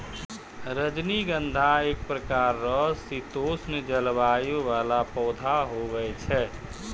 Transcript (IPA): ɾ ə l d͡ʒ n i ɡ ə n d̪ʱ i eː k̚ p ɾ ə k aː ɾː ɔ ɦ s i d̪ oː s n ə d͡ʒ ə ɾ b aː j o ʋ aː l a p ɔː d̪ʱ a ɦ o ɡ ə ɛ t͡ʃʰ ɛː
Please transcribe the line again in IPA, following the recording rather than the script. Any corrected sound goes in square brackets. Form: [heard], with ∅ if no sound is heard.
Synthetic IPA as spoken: ɾ ə [∅] d͡ʒ n i ɡ ə n d̪ʱ [a] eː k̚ p ɾ ə k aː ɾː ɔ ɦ s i [t̪] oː s n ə d͡ʒ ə [l] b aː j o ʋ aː l a p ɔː d̪ʱ a ɦ o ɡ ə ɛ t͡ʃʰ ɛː